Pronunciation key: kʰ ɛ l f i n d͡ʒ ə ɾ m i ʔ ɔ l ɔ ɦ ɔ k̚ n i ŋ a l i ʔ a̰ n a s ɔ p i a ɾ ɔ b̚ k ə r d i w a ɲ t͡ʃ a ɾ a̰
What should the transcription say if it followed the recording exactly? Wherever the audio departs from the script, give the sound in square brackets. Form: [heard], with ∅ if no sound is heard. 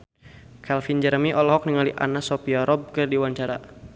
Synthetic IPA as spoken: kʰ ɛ l f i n d͡ʒ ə ɾ m i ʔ ɔ l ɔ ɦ ɔ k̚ n i ŋ a l i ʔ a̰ n a s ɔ p i a ɾ ɔ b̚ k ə r d i w a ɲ t͡ʃ a ɾ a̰